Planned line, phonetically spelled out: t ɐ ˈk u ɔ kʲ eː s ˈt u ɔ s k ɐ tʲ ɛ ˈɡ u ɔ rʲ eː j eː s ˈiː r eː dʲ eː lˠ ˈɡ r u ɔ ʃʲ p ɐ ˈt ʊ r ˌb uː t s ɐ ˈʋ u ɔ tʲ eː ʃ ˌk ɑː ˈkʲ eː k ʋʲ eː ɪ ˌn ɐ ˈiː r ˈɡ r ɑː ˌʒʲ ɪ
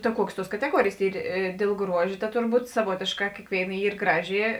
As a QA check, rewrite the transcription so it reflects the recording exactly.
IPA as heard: t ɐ ˈk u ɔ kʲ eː s ˈt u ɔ s k ɐ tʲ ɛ ˈɡ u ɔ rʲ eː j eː s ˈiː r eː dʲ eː lˠ ˈɡ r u ɔ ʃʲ t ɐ ˈt ʊ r ˌb uː t s ɐ ˈʋ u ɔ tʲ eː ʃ ˌk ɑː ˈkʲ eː k ʋʲ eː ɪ ˌn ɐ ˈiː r ˈɡ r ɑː ˌʒʲ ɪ